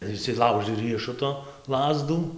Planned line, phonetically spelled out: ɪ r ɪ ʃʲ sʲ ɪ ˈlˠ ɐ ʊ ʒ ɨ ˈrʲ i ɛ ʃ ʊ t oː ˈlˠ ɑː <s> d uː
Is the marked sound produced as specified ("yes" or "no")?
no